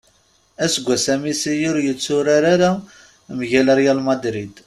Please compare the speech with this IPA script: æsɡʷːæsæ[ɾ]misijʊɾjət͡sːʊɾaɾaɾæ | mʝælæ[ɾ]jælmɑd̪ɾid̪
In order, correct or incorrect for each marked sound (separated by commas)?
incorrect, correct